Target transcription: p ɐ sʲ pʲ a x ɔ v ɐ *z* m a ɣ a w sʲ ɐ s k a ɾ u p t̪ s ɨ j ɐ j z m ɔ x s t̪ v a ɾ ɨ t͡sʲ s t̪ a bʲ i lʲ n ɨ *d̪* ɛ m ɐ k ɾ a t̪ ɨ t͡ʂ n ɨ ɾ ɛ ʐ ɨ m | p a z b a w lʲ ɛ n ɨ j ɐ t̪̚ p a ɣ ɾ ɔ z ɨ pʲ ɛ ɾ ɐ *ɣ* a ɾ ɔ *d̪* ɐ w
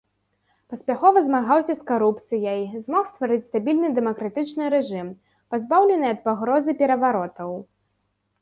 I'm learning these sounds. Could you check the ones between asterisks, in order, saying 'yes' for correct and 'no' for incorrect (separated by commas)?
yes, yes, no, no